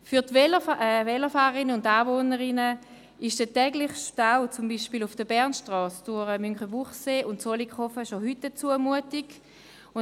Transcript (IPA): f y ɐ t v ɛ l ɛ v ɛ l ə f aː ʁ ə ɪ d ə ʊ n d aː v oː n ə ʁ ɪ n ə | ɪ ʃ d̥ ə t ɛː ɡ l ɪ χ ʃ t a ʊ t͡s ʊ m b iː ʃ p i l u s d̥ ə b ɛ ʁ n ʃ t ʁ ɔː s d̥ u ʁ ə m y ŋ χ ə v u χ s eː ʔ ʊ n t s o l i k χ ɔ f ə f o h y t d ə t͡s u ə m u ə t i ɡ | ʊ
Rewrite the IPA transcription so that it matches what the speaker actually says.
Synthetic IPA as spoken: f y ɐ t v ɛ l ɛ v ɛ l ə f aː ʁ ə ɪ n ə ʊ n d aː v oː n ə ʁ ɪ n ə | ɪ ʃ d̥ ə t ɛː ɡ l ɪ χ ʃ t a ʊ t͡s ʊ m b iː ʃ p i l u f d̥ ə b ɛ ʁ n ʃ t ʁ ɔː s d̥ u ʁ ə m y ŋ χ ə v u χ s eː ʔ ʊ n t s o l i k χ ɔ f ə ʃ o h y t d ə t͡s u ə m u ə t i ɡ | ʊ

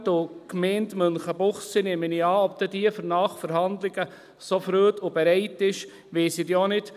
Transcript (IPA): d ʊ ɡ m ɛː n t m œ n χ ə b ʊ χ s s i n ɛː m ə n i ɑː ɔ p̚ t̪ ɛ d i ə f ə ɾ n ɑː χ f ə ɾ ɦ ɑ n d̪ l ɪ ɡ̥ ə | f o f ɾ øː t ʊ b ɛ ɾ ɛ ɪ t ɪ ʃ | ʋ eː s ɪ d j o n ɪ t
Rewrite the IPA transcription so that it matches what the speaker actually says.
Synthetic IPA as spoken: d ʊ k m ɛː n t m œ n χ ə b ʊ χ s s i n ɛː m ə n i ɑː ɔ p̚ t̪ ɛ d i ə f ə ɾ n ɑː χ f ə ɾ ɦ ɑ n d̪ l ɪ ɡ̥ ə | s o f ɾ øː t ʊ b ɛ ɾ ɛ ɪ t ɪ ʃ | ʋ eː s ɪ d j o n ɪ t

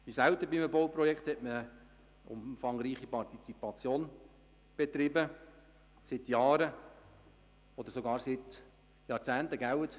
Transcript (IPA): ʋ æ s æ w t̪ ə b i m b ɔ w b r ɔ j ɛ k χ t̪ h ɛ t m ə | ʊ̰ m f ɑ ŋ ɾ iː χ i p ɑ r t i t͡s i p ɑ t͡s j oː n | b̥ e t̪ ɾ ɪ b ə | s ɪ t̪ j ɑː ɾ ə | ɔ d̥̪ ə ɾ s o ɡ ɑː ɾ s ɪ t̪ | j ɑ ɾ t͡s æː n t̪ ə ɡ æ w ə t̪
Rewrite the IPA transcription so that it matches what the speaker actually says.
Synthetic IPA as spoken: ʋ i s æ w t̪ ə b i m b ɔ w p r ɔ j ɛ k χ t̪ h ɛ t m ə | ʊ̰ m f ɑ ŋ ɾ iː χ i p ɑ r t i t͡s i p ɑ t͡s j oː n | b̥ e t̪ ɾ ɪ b ə | s ɪ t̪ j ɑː ɾ ə | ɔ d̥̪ ə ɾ s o ɡ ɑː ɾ s ɪ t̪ | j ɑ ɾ t͡s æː n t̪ ə ɡ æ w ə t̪

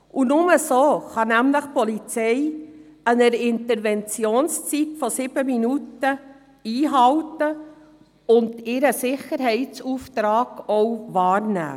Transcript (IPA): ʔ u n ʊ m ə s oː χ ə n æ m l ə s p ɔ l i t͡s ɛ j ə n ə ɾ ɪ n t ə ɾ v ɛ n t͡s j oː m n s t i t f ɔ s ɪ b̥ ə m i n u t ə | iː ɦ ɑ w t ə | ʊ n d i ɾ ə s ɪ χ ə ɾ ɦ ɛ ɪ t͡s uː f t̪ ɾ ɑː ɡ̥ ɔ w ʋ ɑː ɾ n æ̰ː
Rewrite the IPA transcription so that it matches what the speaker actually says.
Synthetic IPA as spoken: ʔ u n ʊ m ə s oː χ ɑ n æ m l ə χ p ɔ l i t͡s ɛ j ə n ə ɾ ɪ n t ə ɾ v ɛ n t͡s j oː n s t͡s i t f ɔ s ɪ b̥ ə m i n u t ə | iː ɦ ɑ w t ə | ʊ n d ɪ ɾ ə s ɪ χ ə ɾ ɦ ɛ ɪ t͡s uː f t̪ ɾ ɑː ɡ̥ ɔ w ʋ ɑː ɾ n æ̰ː

